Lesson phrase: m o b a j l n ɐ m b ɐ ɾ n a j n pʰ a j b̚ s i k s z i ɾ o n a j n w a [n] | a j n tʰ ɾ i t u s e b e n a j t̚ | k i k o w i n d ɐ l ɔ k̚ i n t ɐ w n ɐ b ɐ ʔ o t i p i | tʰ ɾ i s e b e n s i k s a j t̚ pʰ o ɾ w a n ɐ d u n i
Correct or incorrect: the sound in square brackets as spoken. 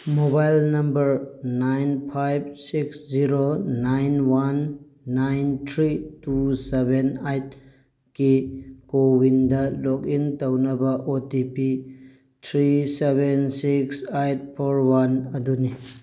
incorrect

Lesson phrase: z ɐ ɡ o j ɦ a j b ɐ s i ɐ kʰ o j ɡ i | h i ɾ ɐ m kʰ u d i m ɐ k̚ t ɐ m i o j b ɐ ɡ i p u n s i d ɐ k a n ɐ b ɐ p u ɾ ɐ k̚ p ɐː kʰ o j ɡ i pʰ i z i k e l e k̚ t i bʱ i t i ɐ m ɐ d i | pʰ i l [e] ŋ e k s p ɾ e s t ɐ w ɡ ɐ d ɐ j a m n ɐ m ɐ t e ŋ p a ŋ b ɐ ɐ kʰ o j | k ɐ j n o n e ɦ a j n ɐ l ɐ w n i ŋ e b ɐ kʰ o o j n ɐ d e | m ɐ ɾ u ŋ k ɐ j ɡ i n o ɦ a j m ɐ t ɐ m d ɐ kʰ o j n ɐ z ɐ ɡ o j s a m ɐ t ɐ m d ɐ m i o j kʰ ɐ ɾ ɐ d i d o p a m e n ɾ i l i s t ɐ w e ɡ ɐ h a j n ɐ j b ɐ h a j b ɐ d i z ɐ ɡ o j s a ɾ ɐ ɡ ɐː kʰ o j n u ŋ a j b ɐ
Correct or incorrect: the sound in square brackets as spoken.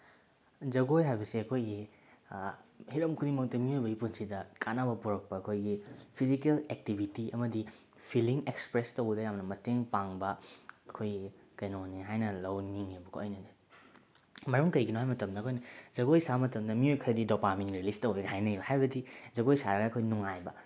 incorrect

